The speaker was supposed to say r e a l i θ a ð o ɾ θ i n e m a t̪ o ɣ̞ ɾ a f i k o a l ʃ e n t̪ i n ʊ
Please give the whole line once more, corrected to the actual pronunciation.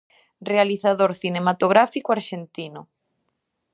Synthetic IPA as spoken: r e a l i θ a ð o ɾ θ i n e m a t̪ o ɣ̞ ɾ a f i k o a ɾ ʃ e n t̪ i n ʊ